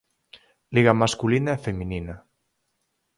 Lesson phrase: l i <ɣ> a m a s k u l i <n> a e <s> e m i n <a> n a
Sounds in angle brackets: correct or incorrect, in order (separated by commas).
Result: correct, correct, incorrect, incorrect